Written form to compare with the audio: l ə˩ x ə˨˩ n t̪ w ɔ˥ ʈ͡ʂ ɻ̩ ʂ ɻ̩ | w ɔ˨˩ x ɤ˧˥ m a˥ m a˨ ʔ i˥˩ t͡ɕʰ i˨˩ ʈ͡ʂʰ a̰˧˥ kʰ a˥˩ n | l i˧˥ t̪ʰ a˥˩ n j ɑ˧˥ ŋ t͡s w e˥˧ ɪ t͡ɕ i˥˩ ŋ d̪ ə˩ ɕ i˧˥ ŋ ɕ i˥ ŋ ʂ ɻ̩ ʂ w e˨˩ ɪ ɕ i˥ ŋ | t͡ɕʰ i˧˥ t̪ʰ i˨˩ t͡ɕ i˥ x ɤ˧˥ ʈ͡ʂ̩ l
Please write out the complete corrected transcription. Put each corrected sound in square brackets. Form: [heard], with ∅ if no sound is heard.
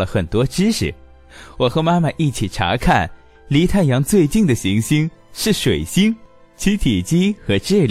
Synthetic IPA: l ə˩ x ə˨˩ n t̪ w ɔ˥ ʈ͡ʂ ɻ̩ ʂ ɻ̩ | w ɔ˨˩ x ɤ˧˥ m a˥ m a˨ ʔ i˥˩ t͡ɕʰ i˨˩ ʈ͡ʂʰ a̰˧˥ kʰ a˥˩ n | l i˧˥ t̪ʰ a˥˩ n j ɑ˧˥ ŋ t͡s w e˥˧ ɪ t͡ɕ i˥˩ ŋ d̪ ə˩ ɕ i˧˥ ŋ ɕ i˥ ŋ ʂ ɻ̩ ʂ w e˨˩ ɪ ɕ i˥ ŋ | t͡ɕʰ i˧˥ t̪ʰ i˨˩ t͡ɕ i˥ x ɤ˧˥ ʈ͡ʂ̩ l